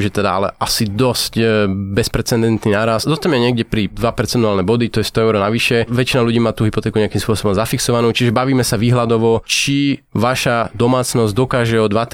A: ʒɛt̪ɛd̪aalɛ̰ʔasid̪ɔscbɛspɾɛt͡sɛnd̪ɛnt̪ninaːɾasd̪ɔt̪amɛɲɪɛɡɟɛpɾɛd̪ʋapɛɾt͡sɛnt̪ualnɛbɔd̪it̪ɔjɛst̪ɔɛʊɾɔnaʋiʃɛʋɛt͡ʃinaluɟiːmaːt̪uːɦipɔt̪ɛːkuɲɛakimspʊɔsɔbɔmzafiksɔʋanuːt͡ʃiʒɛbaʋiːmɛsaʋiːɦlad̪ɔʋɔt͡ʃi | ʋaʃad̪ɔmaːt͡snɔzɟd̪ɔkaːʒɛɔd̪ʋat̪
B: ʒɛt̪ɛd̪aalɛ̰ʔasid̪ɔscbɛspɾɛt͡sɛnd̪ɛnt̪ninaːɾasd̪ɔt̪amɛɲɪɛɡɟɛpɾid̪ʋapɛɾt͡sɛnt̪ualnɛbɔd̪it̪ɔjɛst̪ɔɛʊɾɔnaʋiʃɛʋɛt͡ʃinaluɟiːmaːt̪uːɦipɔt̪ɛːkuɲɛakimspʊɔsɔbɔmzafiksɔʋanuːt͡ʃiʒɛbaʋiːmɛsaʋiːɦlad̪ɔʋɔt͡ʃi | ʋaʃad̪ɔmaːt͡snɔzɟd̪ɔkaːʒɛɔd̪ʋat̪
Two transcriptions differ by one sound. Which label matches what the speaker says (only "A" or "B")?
B